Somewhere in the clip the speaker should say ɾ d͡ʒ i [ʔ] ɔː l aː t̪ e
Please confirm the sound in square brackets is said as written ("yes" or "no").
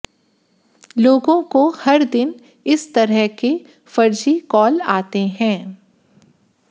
no